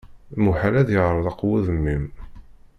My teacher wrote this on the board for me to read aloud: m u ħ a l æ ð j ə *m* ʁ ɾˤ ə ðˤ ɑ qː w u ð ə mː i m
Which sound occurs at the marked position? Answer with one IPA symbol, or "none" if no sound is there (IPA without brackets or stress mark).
none